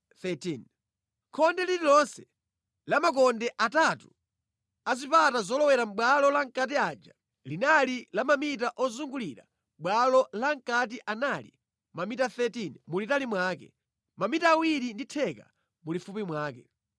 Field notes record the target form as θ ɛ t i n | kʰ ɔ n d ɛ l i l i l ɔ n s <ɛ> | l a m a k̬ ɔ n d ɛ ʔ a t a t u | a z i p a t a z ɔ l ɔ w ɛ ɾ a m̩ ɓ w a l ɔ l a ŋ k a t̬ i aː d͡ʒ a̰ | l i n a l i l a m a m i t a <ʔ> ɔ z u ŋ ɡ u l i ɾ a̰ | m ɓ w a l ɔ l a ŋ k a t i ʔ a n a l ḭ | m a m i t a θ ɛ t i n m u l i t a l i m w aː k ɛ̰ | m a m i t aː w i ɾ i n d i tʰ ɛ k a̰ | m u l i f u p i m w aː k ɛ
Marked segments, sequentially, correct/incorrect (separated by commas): correct, correct